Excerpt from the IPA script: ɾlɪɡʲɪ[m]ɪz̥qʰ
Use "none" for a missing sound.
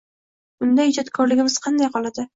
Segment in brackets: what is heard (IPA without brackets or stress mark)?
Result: m